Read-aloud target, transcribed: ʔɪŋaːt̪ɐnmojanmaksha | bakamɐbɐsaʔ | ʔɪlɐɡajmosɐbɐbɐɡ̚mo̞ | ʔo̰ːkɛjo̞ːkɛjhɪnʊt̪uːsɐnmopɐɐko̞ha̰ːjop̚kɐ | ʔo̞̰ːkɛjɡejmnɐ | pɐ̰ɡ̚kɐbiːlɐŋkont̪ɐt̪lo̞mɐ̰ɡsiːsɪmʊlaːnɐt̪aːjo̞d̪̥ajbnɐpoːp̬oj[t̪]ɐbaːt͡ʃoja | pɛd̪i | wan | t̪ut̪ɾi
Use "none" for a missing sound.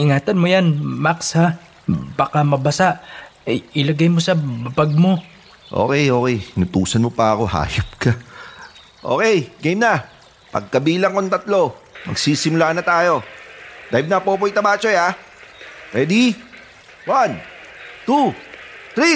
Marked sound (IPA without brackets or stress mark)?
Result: t̪